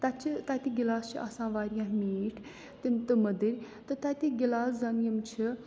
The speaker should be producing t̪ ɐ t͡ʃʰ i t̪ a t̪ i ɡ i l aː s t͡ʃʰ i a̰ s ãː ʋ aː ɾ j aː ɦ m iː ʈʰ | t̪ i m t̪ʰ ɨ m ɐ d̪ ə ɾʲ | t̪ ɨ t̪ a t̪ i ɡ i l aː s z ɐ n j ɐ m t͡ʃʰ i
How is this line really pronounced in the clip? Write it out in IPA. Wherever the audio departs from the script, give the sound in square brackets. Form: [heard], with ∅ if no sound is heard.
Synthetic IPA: t̪ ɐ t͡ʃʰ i t̪ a t̪ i ɡ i l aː s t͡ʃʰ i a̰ s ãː ʋ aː ɾ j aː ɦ m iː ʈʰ | t̪ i m [t̪] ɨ m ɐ d̪ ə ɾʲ | t̪ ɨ t̪ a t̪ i ɡ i l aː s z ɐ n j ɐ m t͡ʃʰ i